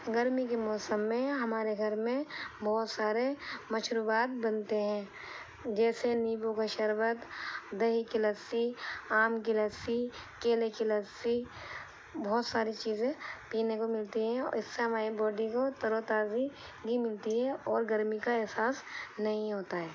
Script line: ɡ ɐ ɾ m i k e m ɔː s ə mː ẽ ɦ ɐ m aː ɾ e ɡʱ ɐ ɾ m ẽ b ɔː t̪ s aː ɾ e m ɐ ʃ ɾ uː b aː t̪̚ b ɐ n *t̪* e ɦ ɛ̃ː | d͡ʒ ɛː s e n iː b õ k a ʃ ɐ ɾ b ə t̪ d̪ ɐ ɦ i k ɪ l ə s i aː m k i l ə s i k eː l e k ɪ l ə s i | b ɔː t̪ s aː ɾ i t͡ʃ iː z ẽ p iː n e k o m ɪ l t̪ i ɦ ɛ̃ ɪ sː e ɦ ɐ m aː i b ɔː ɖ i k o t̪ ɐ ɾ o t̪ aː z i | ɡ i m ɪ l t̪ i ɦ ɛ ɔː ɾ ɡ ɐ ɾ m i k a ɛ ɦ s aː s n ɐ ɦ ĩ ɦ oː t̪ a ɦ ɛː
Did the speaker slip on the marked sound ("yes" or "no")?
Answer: no